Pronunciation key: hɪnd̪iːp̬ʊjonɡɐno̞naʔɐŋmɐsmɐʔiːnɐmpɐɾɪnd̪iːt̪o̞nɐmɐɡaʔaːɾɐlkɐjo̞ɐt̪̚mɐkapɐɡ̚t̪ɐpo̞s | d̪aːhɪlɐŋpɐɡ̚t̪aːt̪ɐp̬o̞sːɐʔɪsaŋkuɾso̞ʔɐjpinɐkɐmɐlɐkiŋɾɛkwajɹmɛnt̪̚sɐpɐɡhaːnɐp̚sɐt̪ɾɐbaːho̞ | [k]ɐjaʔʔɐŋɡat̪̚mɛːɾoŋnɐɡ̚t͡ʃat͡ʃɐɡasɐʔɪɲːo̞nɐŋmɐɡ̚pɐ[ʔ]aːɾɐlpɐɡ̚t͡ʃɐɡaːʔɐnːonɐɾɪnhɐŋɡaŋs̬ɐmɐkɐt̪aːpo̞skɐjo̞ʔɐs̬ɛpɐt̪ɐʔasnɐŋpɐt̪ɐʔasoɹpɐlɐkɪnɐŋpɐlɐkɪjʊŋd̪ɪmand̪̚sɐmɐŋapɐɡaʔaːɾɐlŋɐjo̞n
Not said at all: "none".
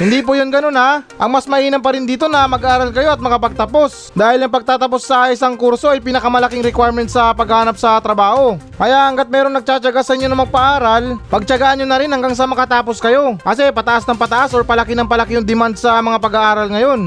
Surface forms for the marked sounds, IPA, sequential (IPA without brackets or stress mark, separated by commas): k, ʔ